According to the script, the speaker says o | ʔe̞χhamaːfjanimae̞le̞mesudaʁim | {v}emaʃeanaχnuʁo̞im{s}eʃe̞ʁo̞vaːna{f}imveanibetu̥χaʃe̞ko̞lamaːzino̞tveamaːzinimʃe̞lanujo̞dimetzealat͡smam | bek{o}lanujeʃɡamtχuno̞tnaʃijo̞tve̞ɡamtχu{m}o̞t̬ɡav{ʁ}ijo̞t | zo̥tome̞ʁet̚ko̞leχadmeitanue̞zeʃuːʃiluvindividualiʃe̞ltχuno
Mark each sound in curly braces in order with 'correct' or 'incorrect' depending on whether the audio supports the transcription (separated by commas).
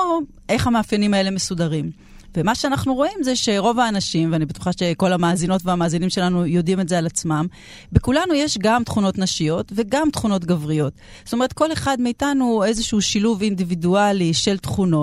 correct, incorrect, incorrect, incorrect, incorrect, correct